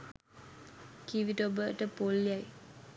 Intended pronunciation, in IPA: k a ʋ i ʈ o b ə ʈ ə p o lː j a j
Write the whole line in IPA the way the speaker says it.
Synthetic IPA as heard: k i ʋ i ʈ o b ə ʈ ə p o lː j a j